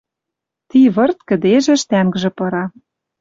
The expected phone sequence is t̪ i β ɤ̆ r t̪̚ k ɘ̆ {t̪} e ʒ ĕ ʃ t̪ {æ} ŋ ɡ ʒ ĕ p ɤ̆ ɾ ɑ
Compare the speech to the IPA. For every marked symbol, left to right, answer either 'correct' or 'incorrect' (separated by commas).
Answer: incorrect, correct